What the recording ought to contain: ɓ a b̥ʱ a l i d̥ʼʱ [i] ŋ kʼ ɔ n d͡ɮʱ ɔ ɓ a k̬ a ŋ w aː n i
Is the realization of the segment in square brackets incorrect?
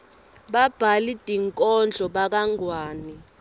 no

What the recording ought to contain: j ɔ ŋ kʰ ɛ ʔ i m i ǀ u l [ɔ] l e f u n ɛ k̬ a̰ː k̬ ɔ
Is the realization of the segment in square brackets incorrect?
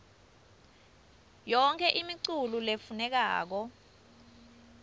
yes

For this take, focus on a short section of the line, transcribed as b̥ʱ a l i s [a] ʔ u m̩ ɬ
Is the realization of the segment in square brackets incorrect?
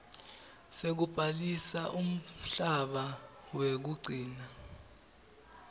no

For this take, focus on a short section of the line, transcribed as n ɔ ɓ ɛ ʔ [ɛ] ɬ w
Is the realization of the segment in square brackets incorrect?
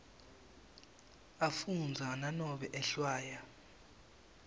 no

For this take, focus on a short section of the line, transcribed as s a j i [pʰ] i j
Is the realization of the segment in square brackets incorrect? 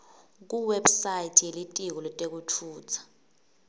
yes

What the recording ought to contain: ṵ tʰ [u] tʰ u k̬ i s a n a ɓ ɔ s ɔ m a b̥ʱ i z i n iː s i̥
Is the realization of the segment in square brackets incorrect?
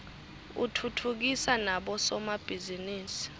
no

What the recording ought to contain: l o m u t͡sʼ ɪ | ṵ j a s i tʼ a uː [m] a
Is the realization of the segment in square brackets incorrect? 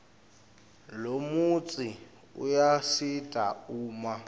no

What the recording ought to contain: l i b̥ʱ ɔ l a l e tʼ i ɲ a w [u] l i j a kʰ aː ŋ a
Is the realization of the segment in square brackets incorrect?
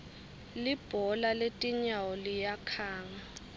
yes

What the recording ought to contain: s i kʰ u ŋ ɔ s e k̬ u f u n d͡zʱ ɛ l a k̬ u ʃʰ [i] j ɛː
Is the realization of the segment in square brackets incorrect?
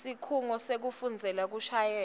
yes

